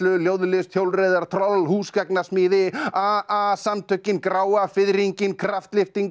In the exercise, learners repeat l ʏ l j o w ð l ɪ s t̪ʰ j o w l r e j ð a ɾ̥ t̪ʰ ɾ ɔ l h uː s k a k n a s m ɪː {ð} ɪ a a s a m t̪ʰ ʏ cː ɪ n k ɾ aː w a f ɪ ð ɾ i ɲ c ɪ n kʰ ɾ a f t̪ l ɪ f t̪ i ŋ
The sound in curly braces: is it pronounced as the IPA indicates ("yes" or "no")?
yes